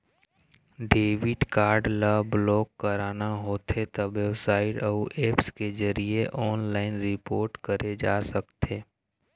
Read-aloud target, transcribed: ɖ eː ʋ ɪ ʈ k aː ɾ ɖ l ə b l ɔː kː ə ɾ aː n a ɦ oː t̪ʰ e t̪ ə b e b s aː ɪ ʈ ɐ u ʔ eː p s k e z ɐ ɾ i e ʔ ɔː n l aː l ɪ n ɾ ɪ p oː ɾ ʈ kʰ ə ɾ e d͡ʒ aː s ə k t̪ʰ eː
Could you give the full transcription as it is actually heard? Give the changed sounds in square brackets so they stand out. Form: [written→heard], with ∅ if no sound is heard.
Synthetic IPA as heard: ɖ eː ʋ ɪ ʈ k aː ɾ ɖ l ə b l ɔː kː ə ɾ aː n a ɦ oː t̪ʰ e t̪ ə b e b s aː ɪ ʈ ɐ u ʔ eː p s k e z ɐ ɾ i e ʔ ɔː n l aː [l→∅] ɪ n ɾ ɪ p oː ɾ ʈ [kʰ→k] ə ɾ e d͡ʒ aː s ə k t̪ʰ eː